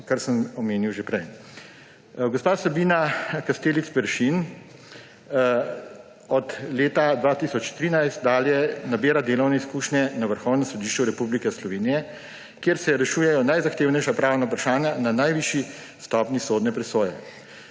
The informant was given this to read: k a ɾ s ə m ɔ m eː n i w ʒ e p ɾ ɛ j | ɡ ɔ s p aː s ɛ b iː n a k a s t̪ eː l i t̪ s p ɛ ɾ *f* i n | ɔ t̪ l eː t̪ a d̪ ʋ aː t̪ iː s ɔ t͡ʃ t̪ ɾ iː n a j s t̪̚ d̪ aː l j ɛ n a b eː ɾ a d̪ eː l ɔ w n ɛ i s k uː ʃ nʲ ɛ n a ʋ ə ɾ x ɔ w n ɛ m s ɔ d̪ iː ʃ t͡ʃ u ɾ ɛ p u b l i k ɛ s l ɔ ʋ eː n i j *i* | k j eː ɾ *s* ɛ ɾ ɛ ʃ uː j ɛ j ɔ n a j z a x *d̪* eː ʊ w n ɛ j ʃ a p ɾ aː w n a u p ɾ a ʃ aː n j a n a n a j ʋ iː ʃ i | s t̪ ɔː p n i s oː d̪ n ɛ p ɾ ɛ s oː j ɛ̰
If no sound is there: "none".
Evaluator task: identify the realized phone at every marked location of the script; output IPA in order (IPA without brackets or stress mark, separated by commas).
ʃ, ɛ, s, t̪